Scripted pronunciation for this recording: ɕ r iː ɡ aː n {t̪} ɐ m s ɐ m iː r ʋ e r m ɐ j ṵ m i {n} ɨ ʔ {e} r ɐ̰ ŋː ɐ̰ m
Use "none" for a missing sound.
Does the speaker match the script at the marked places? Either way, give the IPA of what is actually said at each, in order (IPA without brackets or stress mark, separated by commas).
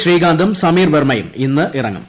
d̪, nː, i